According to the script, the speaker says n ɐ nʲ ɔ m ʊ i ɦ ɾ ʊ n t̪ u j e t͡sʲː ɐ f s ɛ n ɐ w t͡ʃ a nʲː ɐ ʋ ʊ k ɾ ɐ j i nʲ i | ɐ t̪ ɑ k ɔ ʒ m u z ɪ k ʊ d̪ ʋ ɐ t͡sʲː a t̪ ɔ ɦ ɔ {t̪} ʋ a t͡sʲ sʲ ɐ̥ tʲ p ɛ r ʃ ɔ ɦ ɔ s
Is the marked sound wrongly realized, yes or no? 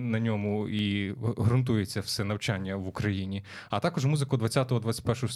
yes